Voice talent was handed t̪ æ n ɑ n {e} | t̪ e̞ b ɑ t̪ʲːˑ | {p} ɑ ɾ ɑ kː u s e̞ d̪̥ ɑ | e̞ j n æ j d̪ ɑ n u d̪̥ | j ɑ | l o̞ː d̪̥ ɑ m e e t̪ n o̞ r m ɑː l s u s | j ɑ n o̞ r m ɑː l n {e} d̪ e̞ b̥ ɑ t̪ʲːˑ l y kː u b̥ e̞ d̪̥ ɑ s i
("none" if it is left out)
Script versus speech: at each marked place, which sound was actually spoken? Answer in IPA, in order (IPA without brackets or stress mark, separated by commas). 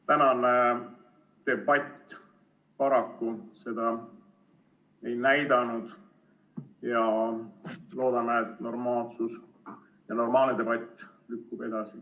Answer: e, p, e